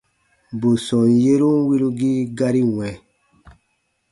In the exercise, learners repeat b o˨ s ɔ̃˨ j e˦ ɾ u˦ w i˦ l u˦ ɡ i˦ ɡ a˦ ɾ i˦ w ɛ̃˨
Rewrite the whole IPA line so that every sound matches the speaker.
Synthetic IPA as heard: b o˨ s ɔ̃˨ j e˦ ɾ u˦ w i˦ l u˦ ɡ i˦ ɡ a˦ ɾ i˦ w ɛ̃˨